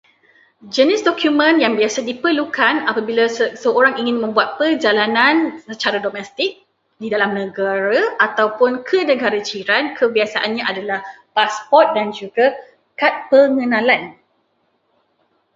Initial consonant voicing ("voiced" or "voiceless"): voiced